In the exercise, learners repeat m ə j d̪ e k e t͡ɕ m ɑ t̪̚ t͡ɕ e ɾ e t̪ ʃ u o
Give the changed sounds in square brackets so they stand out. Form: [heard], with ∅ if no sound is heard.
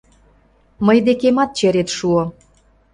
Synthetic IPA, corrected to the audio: m ə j d̪ e k e [∅] m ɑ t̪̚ t͡ɕ e ɾ e t̪ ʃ u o

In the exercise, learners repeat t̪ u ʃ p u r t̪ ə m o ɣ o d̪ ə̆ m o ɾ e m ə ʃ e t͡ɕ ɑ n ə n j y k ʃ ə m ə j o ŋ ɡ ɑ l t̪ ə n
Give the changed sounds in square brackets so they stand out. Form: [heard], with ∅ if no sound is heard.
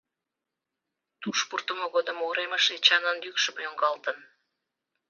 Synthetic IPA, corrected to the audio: t̪ u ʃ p u r t̪ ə m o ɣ o d̪ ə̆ m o ɾ e m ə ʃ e t͡ɕ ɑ n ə n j y k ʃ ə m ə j o ŋ ɡ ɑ l t̪ ə n

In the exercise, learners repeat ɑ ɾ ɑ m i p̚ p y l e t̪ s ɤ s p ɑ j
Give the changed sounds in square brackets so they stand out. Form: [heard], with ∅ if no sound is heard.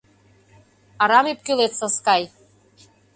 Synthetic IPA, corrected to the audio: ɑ ɾ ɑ m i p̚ [k] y l e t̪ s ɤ s [k] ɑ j

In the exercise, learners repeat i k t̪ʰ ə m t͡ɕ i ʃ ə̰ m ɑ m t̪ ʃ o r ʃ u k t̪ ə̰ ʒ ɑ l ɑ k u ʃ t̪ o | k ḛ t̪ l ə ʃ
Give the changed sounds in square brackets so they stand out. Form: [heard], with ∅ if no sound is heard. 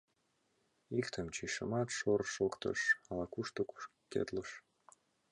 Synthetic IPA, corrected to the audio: i k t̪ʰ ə m t͡ɕ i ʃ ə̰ m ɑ [∅] t̪ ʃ o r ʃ [o] k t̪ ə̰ [ʃ] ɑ l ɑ k u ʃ t̪ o | k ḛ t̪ l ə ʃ

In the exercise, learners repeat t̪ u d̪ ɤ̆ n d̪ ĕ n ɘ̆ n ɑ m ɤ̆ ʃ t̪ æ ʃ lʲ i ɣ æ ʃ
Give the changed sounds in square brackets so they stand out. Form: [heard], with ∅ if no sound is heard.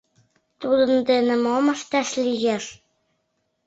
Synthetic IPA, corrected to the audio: t̪ u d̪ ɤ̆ n d̪ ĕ n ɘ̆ [m] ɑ m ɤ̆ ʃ t̪ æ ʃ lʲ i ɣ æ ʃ

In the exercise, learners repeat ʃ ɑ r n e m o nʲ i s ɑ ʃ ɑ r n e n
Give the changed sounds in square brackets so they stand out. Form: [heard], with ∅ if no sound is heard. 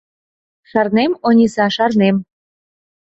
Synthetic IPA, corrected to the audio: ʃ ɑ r n e m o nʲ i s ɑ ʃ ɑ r n e [m]

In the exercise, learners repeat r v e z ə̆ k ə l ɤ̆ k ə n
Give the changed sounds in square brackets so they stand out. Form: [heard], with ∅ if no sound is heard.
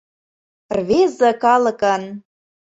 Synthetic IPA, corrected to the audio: r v e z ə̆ k [ɑ] l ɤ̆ k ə n

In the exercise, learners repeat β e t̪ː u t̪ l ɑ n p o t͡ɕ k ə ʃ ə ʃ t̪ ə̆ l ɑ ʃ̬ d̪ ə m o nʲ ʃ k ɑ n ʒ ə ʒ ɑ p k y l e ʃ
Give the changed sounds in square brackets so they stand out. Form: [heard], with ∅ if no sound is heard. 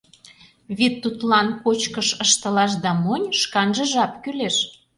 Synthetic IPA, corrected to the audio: β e t̪ː u t̪ l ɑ n p o t͡ɕ k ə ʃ ə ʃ t̪ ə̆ l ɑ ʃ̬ d̪ [ɑ] m o nʲ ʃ k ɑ n ʒ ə ʒ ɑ p k y l e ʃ

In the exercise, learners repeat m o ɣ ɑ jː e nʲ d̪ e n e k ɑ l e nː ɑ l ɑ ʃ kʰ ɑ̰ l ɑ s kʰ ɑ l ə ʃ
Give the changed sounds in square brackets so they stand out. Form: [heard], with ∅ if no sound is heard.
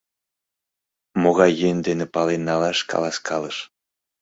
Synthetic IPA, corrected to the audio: m o ɣ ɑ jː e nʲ d̪ e n e [p] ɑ l e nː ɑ l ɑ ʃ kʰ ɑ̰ l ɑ s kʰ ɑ l ə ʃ

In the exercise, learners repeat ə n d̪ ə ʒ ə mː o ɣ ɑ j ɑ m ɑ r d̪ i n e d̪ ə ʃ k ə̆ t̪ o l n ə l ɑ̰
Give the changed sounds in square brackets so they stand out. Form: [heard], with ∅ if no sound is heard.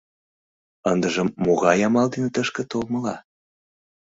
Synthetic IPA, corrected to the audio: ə n d̪ ə ʒ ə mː o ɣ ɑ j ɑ m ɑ [l] d̪ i n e [t̪] ə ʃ k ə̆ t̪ o l [m] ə l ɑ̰

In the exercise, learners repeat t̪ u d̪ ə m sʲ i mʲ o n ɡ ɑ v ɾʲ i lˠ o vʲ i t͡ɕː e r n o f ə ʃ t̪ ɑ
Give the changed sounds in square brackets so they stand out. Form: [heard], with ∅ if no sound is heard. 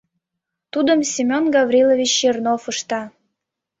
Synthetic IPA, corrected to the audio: t̪ u d̪ ə m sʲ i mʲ o n ɡ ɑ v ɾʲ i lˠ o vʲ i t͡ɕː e r n o f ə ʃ t̪ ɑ

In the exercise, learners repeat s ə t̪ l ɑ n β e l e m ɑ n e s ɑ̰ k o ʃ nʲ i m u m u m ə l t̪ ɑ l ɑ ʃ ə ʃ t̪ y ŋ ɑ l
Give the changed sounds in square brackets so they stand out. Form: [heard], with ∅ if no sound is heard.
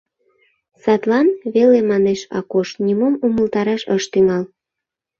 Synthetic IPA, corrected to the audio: s [ɑ] t̪ l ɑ n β e l e m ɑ n e [ʃ] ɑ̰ k o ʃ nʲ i m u m u m ə l t̪ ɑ [ɾ] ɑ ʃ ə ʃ t̪ y ŋ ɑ l

